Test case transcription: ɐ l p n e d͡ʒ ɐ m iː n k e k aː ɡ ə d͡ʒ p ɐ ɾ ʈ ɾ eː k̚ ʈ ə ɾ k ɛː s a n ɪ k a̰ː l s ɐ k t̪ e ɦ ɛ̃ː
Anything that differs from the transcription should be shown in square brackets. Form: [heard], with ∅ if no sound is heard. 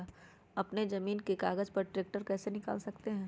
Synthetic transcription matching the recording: ɐ [∅] p n e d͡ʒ ɐ m iː n k e k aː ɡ ə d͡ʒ p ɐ ɾ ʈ ɾ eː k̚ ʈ ə ɾ k ɛː s [e] n ɪ k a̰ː l s ɐ k t̪ e ɦ ɛ̃ː